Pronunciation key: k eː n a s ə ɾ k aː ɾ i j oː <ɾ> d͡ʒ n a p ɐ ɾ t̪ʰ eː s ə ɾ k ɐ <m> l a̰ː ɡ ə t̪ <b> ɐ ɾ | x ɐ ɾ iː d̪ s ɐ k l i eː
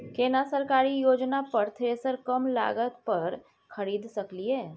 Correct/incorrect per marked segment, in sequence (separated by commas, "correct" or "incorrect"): incorrect, correct, incorrect